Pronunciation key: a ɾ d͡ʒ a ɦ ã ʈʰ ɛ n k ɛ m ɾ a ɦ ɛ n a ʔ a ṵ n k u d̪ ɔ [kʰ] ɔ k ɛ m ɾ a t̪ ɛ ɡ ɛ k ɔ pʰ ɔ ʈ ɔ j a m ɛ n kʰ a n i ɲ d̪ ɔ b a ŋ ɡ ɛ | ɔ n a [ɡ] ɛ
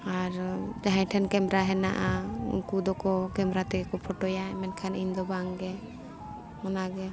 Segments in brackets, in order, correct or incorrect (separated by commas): incorrect, correct